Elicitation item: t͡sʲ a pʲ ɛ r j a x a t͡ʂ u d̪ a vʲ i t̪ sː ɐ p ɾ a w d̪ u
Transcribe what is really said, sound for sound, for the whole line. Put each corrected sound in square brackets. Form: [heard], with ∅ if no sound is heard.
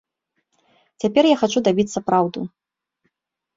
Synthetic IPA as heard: t͡sʲ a pʲ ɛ r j a x a t͡ʂ u d̪ a [bʲ] i t̪ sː ɐ p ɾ a w d̪ u